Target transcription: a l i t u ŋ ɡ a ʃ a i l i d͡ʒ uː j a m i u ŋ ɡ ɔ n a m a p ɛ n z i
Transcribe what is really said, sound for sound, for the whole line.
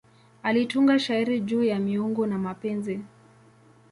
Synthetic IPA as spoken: a l i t u ŋ ɡ a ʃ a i ɾ i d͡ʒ uː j a m i u ŋ ɡ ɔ n a m a p ɛ n z i